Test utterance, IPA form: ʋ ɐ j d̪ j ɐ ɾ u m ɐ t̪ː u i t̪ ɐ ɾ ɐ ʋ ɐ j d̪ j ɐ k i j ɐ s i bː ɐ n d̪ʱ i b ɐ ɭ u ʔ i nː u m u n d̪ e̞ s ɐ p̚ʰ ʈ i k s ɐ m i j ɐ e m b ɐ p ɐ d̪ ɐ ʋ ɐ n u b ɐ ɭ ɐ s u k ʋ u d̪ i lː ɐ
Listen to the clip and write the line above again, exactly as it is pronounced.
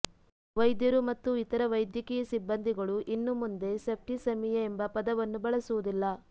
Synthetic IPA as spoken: ʋ ɐ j d̪ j ɐ ɾ u m ɐ t̪ː u i t̪ ɐ ɾ ɐ ʋ ɐ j d̪ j ɐ k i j ɐ s i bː ɐ n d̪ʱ i ɡ ɐ ɭ u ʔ i nː u m u n d̪ e̞ s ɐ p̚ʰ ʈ i s ɐ m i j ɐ e m b ɐ p ɐ d̪ ɐ ʋ ɐ nː u b ɐ ɭ ɐ s u ʋ u d̪ i lː ɐ